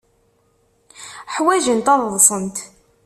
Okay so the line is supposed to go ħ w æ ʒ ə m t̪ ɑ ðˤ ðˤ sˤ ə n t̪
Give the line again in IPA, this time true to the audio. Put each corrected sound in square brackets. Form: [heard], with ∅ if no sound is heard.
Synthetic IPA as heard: ħ w æ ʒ ə [n] t̪ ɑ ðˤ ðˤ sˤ ə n t̪